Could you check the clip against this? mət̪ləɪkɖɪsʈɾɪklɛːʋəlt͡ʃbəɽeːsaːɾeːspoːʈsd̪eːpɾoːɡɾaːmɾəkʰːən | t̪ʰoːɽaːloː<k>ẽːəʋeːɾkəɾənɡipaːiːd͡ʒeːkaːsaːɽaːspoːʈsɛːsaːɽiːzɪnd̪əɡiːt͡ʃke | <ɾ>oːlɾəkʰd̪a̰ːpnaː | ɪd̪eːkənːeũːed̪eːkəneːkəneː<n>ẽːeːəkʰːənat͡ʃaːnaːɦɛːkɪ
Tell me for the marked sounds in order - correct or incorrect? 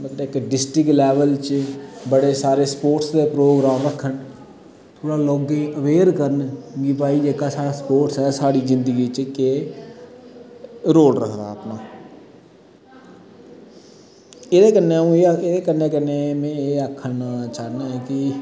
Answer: incorrect, correct, incorrect

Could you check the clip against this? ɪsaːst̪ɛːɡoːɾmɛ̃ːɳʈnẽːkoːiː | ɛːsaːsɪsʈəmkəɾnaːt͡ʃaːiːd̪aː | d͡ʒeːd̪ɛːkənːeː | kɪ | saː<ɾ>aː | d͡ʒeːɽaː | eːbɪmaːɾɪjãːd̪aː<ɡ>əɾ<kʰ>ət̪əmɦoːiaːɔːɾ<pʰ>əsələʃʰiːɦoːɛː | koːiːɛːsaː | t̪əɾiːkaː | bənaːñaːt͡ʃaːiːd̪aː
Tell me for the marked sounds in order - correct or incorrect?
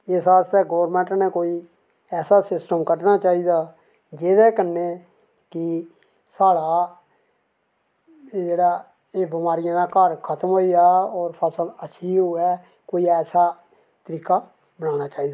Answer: incorrect, incorrect, correct, correct

